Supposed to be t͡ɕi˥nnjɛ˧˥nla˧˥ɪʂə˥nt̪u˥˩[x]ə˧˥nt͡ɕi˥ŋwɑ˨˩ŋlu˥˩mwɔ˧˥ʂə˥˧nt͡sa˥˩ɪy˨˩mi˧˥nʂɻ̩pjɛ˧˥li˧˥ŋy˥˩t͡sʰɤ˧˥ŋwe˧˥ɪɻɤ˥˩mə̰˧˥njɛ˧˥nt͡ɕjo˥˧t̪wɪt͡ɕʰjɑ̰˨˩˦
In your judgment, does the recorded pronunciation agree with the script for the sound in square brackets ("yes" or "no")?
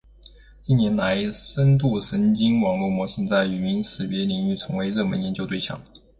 no